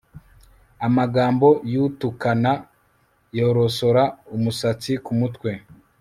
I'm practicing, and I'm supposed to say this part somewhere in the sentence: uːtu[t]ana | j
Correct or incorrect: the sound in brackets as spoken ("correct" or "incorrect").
incorrect